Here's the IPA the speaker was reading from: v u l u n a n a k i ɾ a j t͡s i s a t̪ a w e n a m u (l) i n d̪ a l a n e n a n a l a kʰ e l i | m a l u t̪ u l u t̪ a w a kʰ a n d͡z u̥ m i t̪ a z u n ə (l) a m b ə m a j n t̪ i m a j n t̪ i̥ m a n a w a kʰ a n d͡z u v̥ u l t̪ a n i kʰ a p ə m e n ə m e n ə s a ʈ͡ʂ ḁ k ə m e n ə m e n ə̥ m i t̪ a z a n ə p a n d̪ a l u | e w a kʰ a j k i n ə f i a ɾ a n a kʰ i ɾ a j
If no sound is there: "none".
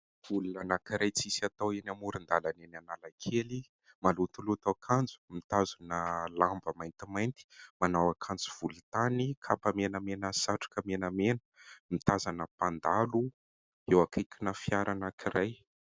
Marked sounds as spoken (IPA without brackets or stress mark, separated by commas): ɾ, l